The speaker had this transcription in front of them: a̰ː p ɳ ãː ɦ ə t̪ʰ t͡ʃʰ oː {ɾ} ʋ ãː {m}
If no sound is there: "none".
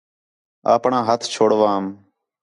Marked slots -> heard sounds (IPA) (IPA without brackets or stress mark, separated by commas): ɽ, m